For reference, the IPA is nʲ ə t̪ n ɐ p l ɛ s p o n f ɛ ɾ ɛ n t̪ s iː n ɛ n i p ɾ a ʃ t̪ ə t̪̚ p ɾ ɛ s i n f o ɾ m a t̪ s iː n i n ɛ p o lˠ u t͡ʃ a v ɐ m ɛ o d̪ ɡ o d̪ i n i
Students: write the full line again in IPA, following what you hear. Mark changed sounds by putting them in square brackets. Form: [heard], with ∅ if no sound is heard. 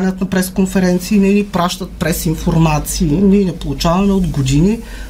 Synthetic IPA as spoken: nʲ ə t̪ n ɐ p [ɾ] ɛ s [k] o n f ɛ ɾ ɛ n t̪ s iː n ɛ n i p ɾ a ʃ t̪ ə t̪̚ p ɾ ɛ s i n f o ɾ m a t̪ s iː n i n ɛ p o lˠ u t͡ʃ a v ɐ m ɛ o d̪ ɡ o d̪ i n i